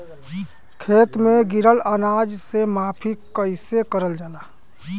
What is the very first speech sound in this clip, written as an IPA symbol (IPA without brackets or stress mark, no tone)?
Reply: kʰ